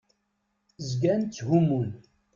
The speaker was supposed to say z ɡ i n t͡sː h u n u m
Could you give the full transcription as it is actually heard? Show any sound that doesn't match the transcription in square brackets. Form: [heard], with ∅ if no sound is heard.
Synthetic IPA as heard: z ɡ [æ] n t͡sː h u [m] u [n]